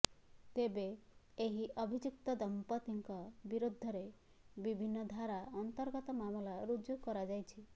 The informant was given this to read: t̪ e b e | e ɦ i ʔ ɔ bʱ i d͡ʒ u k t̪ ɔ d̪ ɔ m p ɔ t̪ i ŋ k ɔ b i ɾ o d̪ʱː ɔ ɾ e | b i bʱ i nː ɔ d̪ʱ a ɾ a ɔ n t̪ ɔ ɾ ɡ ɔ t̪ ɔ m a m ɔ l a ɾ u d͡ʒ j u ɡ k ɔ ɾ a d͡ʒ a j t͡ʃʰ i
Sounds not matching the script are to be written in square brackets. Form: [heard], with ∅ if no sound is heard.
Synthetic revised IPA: t̪ e b e | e ɦ i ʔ ɔ bʱ i d͡ʒ u k t̪ ɔ d̪ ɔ m p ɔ t̪ i ŋ k ɔ b i ɾ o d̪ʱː ɔ ɾ e | b i bʱ i nː ɔ d̪ʱ a ɾ a ɔ n t̪ ɔ ɾ ɡ ɔ t̪ ɔ m a m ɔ l a ɾ u d͡ʒ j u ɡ k ɔ ɾ a d͡ʒ a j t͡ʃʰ i